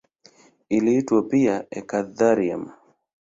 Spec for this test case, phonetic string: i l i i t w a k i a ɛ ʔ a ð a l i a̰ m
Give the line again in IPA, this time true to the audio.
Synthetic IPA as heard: i l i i t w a p i a ɛ k a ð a ɾ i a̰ m